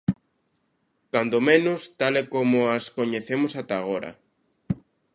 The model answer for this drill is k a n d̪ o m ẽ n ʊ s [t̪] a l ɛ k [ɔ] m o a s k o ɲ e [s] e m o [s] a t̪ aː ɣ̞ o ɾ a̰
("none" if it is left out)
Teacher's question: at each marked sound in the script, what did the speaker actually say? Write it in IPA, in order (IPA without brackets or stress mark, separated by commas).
t̪, o, θ, s